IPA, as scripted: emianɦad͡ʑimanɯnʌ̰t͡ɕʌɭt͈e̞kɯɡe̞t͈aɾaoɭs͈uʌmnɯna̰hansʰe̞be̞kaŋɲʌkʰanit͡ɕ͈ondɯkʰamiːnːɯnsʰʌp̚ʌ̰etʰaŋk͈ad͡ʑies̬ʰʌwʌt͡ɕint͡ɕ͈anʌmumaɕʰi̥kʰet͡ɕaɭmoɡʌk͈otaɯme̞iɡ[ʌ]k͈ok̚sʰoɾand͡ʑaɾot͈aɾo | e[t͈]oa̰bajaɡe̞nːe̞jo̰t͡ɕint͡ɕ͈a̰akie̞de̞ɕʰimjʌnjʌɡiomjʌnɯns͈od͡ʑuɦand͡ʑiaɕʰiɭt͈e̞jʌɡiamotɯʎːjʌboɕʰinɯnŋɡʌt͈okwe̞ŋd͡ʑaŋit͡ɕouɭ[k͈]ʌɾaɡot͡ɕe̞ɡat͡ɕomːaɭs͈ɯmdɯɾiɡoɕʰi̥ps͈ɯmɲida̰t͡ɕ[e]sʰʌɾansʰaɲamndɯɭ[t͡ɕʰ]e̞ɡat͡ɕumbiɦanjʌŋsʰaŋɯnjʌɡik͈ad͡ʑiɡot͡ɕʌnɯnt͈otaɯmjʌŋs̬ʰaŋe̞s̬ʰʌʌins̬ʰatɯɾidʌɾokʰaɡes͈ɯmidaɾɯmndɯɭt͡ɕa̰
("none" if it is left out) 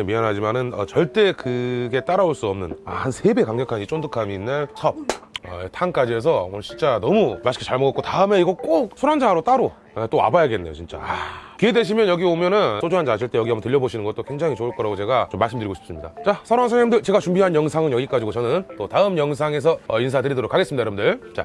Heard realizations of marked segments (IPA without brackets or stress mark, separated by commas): ʌ, t͈, k͈, a, t͡ɕ